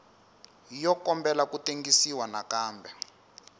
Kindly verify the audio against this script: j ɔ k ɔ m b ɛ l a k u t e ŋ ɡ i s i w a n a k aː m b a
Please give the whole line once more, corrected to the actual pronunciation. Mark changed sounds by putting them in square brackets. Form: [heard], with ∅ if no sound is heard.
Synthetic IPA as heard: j ɔ k ɔ m b ɛ l a k u t e ŋ ɡ i s i w a n a k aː m b [ɛ]